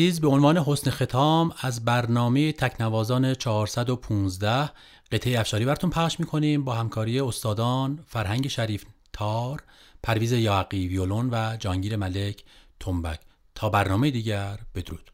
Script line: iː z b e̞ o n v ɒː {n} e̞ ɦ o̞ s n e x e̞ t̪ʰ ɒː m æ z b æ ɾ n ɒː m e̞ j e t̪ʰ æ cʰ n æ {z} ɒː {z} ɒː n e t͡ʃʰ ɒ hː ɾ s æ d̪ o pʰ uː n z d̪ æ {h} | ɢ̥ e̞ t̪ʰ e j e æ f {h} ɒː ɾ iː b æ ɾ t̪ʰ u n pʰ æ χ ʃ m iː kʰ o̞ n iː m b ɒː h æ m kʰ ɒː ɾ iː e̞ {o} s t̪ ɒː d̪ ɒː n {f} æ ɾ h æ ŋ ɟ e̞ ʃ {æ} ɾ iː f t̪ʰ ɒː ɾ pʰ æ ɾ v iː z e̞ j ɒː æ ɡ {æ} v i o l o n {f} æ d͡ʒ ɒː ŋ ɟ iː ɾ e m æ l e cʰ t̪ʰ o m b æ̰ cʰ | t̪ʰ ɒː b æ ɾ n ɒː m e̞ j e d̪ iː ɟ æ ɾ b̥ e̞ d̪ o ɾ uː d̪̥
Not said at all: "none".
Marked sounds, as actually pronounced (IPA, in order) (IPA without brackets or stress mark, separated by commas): n, v, z, h, ʃ, o, f, æ, i, v